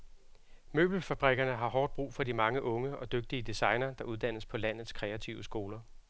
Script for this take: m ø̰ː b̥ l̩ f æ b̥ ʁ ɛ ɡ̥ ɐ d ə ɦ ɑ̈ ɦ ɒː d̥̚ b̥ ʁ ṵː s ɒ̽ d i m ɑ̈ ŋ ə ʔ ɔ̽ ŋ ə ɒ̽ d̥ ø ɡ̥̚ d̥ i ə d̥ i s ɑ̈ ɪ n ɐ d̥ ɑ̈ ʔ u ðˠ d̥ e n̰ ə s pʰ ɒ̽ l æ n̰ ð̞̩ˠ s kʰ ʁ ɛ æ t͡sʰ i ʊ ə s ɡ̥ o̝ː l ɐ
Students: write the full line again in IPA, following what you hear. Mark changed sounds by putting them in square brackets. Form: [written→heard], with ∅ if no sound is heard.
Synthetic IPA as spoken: m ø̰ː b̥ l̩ f æ b̥ ʁ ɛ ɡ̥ ɐ [d→n] ə ɦ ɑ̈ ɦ ɒː d̥̚ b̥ ʁ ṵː [s→f] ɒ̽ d i m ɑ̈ ŋ ə ʔ ɔ̽ ŋ ə ɒ̽ d̥ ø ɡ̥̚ d̥ i ə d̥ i s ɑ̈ ɪ n ɐ d̥ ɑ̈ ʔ u ðˠ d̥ [e→æ] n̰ ə s pʰ ɒ̽ l æ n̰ ð̞̩ˠ s kʰ ʁ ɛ æ t͡sʰ i ʊ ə s ɡ̥ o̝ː l ɐ